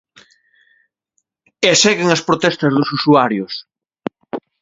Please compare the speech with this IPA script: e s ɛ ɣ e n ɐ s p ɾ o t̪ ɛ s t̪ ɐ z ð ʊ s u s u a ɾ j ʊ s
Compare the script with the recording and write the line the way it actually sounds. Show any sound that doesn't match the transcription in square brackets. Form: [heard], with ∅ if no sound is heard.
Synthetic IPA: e s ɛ ɣ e [ŋ] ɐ s p ɾ o t̪ ɛ s t̪ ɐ z ð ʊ s u s u a ɾ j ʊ s